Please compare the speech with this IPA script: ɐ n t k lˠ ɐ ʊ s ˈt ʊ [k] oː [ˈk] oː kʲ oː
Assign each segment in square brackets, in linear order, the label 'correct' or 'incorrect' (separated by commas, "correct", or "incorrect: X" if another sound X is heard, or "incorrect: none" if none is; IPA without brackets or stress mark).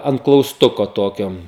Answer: correct, incorrect: t